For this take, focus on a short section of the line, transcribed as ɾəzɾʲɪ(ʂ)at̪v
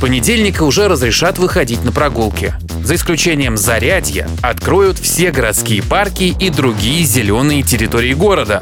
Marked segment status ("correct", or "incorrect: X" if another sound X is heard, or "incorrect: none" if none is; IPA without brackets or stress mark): correct